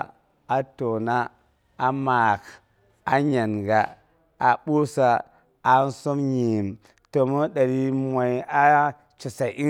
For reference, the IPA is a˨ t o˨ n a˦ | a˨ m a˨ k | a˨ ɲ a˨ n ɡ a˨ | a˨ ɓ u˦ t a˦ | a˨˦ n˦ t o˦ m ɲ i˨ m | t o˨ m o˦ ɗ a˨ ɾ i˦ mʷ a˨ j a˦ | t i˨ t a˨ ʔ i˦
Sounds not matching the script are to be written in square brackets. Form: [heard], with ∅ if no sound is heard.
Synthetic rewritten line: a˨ t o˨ n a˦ | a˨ m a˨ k | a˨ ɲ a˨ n ɡ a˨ | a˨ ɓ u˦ [s] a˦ | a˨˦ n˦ [s] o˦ m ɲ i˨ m | t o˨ m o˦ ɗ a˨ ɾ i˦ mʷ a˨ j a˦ | [t͡ʃ] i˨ [s] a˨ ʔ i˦